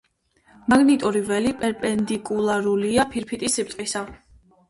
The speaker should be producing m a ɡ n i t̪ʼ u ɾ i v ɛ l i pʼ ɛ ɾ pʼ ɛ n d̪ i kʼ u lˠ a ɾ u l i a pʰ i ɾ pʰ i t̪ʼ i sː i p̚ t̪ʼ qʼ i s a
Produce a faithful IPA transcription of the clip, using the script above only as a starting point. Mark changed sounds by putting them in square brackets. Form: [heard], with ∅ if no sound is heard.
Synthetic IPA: m a ɡ n i t̪ʼ u ɾ i v ɛ l i pʼ ɛ ɾ pʼ ɛ n d̪ i kʼ u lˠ a ɾ u l i a pʰ i ɾ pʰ i t̪ʼ i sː i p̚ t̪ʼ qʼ i s a